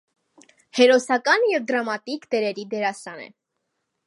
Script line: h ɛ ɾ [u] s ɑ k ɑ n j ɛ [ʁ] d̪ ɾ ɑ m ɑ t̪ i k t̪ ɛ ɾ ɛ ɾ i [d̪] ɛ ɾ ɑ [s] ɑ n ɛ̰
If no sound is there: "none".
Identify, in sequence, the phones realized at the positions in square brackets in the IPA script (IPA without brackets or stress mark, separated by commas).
ɔ, v, d̪, s